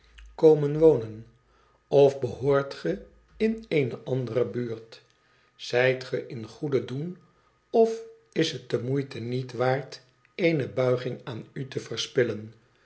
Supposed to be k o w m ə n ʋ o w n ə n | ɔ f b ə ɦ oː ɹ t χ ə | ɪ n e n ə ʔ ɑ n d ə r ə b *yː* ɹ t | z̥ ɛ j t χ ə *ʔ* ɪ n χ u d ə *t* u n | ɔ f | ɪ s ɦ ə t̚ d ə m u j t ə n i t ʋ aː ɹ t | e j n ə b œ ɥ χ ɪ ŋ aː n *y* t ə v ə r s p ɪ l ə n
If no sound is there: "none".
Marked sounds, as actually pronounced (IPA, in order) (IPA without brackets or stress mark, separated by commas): yː, ʔ, d, y